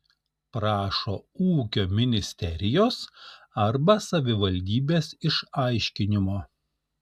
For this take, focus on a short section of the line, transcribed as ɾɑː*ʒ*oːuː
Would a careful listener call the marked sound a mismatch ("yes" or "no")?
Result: yes